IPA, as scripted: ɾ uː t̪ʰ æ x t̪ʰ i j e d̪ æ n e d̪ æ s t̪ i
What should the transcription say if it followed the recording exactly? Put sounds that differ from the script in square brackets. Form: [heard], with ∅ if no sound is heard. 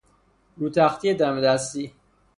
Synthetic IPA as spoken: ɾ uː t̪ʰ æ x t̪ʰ i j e d̪ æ [m] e d̪ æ s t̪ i